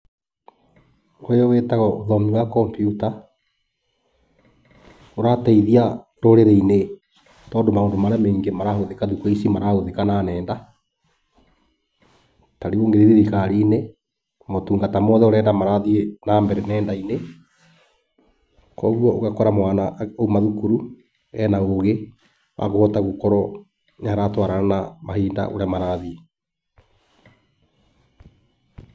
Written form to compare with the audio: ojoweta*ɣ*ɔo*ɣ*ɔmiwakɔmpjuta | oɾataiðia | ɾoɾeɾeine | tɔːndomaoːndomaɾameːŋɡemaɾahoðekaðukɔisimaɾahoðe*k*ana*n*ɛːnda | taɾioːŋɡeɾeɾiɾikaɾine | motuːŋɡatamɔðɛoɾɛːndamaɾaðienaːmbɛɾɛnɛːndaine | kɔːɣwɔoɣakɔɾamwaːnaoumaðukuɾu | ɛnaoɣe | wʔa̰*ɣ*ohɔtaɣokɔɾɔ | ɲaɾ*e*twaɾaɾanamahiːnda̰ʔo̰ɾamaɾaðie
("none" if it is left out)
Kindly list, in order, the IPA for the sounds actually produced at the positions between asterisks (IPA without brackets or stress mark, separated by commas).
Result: ɣ, ð, k, n, ɣ, a